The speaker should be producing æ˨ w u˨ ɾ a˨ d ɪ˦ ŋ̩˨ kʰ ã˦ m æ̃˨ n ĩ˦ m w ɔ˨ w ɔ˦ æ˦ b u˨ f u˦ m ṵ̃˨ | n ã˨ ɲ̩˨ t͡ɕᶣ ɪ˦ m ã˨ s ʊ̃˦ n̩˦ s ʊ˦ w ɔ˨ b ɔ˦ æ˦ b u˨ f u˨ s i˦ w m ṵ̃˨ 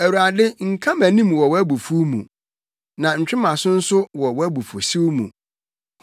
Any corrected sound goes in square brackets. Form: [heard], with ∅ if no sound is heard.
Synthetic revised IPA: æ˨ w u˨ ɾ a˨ d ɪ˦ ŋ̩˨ kʰ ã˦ m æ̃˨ n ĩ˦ m w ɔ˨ w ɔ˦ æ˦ b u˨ f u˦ m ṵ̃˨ | n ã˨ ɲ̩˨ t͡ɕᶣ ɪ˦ m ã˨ s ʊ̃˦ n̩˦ s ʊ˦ w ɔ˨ [w] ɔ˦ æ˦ b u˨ f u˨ s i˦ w m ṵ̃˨